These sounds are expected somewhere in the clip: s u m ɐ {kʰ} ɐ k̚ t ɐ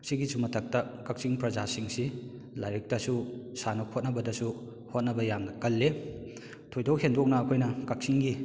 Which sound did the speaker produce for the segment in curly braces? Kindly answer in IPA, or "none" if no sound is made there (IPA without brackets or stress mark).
tʰ